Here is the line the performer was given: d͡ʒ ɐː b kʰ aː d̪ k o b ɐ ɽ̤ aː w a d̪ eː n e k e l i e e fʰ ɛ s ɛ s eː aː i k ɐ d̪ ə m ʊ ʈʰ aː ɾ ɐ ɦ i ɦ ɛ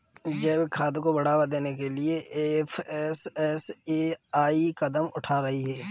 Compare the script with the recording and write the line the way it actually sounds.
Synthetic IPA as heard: d͡ʒ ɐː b kʰ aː d̪ k o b ɐ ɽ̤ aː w a d̪ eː n e k e l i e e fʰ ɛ s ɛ s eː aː i k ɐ d̪ ə m ʊ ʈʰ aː ɾ ɐ ɦ i ɦ ɛː